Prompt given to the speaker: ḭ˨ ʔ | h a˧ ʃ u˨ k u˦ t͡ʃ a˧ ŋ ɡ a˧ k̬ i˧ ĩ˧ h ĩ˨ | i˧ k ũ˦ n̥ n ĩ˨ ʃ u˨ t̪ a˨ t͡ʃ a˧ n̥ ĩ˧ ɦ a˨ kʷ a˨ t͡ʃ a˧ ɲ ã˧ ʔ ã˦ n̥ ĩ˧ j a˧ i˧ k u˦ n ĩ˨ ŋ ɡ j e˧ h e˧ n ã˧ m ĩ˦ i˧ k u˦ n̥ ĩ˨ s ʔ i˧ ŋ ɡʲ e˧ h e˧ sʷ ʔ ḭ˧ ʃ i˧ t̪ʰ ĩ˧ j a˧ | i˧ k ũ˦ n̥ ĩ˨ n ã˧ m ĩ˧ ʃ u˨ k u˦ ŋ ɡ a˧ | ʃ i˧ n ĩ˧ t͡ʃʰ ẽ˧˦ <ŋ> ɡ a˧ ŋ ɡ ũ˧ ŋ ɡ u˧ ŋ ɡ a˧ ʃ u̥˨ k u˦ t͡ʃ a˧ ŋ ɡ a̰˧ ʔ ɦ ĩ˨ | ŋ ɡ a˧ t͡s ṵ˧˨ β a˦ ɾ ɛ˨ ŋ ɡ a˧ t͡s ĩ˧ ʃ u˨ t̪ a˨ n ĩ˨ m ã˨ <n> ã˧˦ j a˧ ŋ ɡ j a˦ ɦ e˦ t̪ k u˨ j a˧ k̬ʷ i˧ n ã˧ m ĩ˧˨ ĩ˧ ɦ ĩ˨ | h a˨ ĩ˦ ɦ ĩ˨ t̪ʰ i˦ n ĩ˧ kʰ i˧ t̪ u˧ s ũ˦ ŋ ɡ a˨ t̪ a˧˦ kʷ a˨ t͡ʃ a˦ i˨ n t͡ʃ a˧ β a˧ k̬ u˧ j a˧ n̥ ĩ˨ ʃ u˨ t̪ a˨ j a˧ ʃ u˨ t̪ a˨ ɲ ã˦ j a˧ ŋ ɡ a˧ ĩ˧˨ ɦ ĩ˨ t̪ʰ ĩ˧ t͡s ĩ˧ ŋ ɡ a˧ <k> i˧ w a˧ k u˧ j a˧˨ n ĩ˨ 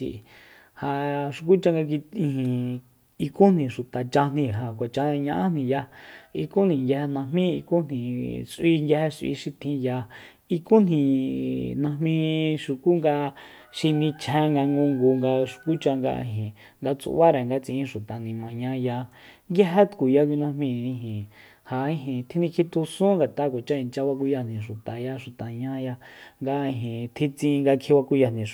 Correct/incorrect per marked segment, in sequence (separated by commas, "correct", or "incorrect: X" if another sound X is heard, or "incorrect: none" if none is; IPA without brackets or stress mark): correct, incorrect: ɲ, incorrect: kʰ